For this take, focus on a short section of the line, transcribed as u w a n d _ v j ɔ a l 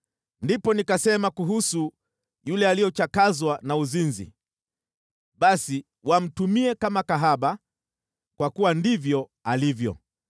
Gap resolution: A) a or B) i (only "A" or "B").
B